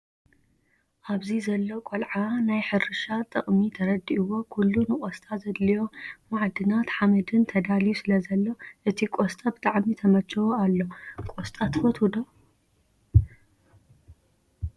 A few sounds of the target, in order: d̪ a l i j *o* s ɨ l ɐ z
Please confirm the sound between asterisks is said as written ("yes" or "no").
no